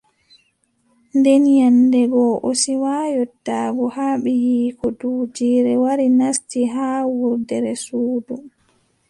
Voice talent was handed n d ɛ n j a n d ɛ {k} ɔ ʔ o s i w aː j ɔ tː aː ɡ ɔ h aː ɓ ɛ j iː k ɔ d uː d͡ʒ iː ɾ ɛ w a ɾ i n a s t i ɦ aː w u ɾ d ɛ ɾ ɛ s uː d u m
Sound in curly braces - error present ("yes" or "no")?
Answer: yes